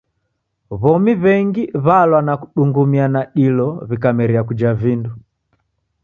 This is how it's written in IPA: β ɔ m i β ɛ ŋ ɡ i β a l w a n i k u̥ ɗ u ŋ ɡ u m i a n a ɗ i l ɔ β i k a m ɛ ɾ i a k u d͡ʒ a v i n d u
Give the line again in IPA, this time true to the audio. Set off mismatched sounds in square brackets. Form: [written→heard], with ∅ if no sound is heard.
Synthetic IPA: β ɔ m i β ɛ ŋ ɡ i β a l w a n [i→a] k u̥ ɗ u ŋ ɡ u m i a n a ɗ i l ɔ β i k a m ɛ ɾ i a k u d͡ʒ a v i n d u